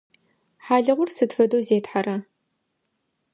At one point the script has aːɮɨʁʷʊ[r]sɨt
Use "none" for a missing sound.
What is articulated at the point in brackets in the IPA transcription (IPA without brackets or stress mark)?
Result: r